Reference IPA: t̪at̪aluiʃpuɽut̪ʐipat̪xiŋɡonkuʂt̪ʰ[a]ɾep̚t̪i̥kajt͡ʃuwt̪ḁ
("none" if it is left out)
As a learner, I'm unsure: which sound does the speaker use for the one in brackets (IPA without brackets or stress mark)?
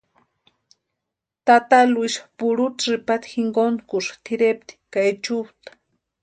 i